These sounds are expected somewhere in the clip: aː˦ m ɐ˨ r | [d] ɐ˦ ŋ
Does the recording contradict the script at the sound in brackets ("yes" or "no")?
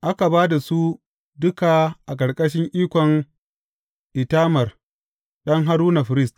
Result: yes